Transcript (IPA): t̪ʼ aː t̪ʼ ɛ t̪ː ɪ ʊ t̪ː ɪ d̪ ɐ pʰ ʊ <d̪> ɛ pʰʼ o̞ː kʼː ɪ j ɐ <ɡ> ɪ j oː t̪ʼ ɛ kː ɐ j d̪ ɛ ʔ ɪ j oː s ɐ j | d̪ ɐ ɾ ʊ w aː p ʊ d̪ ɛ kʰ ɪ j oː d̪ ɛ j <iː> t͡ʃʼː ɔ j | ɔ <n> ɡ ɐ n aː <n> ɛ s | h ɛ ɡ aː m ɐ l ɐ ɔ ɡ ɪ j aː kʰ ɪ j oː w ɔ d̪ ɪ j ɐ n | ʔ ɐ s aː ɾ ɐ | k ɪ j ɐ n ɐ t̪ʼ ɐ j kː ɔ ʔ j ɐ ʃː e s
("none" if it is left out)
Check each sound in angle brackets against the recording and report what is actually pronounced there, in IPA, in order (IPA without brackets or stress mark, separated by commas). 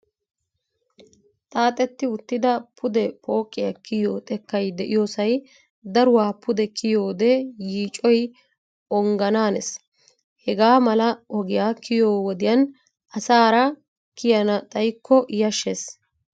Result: d̪, k, iː, ŋ, n